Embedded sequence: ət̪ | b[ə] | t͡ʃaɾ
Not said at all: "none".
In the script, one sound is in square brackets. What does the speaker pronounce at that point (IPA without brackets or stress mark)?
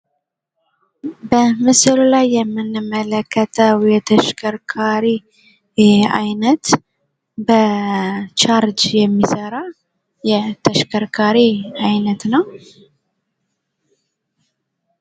ə